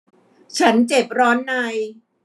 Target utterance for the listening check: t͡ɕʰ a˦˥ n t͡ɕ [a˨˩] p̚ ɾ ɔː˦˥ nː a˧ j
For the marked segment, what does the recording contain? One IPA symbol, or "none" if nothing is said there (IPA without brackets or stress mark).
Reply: e˨˩